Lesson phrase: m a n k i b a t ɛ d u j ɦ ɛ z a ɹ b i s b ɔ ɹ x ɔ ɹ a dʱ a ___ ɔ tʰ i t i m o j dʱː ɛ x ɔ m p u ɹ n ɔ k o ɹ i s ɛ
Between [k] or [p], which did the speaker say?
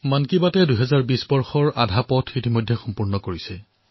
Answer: p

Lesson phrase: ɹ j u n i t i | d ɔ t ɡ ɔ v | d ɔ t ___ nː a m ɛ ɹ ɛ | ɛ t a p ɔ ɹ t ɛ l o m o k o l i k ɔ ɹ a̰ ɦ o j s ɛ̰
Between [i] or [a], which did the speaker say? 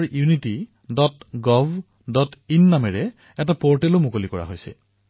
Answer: i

